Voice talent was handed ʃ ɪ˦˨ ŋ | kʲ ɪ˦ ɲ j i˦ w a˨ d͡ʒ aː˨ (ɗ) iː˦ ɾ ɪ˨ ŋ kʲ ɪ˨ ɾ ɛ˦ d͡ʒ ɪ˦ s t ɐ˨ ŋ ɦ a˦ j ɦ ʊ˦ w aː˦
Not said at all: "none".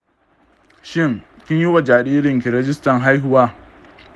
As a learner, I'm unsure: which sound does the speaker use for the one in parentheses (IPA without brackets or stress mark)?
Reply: ɗ